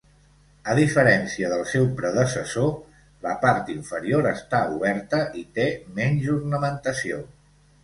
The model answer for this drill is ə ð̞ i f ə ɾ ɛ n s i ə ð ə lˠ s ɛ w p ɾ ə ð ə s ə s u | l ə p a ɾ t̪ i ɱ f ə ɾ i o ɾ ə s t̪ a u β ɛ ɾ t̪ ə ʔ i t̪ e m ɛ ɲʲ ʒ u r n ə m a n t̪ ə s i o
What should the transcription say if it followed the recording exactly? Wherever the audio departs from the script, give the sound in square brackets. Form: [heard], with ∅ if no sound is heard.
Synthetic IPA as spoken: ə ð̞ i f ə ɾ ɛ n s i ə ð ə lˠ s ɛ w p ɾ ə ð ə s ə s [o] | l ə p a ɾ t̪ i ɱ f ə ɾ i o ɾ ə s t̪ a u β ɛ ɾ t̪ ə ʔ i t̪ e m ɛ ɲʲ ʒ u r n ə m [ə] n t̪ ə s i o